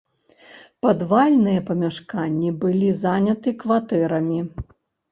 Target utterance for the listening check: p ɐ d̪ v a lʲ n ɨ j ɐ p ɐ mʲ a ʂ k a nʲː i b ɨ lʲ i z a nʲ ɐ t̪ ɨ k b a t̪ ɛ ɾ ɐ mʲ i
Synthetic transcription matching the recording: p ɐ d̪ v a lʲ n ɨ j ɐ p ɐ mʲ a ʂ k a nʲː i b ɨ lʲ i z a nʲ ɐ t̪ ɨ k v a t̪ ɛ ɾ ɐ mʲ i

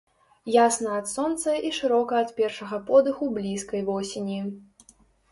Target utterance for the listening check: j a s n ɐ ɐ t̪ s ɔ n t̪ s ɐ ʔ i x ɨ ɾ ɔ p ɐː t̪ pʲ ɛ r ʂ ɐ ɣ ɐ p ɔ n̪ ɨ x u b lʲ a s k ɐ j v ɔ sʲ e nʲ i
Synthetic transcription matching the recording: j a s n ɐ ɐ t̪ s ɔ n t̪ s ɐ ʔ i ʂ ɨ ɾ ɔ k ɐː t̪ pʲ ɛ r ʂ ɐ ɣ ɐ p ɔ d̪ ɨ x u b lʲ i s k ɐ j v ɔ sʲ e nʲ i

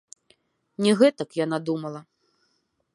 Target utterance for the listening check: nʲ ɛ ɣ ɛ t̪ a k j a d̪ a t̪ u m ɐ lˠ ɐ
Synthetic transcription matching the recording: nʲ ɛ ɣ ɛ t̪ ɐ k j a n̪ a d̪ u m ɐ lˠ ɐ

